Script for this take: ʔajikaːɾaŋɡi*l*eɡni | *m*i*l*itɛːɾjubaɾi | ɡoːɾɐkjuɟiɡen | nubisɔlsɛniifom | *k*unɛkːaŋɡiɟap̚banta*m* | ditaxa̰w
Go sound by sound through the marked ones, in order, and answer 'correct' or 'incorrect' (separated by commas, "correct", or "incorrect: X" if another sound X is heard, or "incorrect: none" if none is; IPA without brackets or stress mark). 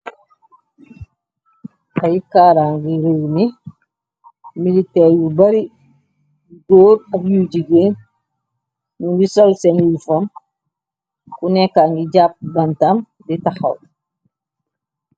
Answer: incorrect: ɾ, correct, correct, correct, correct